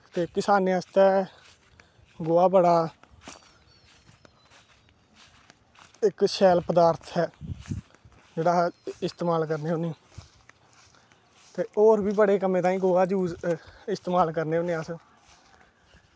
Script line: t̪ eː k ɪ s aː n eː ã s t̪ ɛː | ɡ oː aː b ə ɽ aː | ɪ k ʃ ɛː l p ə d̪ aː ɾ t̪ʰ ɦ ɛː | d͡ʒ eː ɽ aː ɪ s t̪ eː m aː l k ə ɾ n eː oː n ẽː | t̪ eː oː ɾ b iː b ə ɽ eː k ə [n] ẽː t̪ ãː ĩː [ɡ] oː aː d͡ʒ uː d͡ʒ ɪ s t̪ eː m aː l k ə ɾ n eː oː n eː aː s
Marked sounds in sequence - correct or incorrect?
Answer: incorrect: m, correct

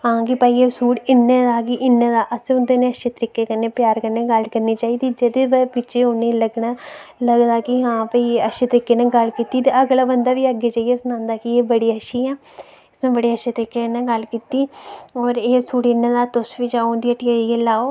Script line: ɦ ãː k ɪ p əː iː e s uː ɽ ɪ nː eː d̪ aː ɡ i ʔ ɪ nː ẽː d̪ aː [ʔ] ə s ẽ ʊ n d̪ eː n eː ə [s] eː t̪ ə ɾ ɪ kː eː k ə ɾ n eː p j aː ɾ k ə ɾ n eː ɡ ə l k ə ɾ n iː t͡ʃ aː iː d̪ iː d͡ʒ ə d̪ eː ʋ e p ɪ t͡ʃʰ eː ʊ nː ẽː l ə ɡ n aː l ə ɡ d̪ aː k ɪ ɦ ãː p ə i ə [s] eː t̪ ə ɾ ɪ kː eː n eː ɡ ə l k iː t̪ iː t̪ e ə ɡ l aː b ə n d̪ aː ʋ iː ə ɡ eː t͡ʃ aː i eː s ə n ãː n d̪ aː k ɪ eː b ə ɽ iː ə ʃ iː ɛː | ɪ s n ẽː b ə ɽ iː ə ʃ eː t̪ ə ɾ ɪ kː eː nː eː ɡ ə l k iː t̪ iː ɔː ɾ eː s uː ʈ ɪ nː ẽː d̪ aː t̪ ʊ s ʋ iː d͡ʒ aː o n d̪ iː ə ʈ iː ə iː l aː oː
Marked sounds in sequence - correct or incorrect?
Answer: correct, incorrect: ʃ, incorrect: ʃ

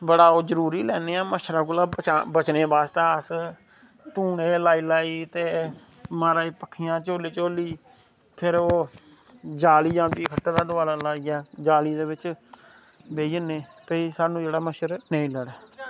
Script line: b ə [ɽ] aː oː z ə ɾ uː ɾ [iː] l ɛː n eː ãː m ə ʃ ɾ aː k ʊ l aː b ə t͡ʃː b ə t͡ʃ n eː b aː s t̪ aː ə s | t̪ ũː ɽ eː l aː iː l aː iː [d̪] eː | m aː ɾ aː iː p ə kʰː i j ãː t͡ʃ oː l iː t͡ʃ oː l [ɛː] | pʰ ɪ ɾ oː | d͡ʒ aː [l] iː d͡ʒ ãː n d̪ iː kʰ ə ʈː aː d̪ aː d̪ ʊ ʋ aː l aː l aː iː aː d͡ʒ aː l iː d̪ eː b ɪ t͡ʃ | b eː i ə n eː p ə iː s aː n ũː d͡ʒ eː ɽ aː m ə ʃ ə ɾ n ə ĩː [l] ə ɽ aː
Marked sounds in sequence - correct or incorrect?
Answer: correct, correct, incorrect: t̪, incorrect: iː, correct, correct

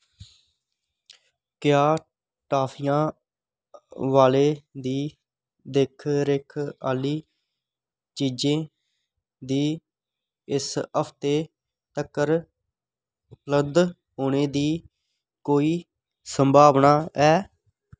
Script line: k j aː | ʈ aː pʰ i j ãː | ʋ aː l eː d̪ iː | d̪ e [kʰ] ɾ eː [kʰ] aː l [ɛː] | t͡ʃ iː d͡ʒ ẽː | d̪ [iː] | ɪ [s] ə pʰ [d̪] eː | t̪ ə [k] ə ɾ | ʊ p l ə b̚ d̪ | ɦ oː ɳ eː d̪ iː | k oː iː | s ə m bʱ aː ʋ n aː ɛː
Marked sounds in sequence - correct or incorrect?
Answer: correct, correct, incorrect: iː, correct, correct, incorrect: t̪, correct

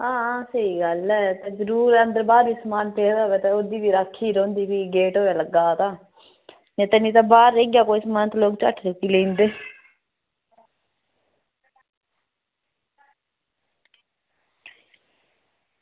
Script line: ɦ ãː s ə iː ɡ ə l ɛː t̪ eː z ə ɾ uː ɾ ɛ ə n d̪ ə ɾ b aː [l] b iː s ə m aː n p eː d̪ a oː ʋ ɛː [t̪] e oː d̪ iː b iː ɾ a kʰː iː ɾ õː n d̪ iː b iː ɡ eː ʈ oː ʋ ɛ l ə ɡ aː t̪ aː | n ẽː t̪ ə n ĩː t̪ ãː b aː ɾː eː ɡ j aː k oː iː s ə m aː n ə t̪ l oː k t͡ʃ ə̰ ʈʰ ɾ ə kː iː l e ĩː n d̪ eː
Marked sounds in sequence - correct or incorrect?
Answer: incorrect: ɾ, correct

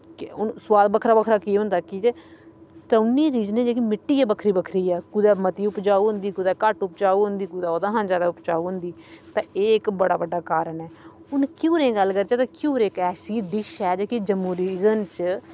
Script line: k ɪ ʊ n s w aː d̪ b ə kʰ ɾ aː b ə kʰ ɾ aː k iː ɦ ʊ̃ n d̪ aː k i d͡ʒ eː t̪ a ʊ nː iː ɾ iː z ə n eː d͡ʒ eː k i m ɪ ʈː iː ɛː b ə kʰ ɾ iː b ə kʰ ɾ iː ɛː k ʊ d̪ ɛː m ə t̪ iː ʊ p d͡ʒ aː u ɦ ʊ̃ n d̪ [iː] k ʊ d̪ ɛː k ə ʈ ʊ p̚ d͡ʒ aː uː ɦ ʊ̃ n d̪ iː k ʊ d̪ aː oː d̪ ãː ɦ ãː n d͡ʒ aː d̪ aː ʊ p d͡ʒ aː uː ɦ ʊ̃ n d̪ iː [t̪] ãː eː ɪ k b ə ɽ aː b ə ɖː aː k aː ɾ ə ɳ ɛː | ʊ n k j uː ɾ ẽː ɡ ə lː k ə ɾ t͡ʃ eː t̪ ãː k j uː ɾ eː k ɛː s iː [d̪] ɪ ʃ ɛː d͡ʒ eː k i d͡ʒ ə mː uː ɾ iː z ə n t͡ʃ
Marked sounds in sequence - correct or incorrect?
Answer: correct, correct, correct

